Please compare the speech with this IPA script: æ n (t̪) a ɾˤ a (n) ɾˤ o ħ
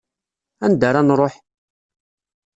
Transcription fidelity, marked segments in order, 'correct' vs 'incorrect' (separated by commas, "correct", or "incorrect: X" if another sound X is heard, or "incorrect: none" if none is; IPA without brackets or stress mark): incorrect: d̪, correct